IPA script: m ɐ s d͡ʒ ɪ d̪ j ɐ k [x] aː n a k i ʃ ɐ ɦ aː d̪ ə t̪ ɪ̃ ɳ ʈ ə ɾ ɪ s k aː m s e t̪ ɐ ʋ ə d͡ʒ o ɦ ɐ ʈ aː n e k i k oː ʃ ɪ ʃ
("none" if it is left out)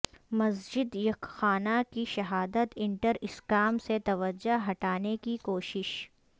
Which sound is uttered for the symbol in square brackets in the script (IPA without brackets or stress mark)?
x